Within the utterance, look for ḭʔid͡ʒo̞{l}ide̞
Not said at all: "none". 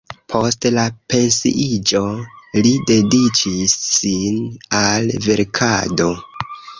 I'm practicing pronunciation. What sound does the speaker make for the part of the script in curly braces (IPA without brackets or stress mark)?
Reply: l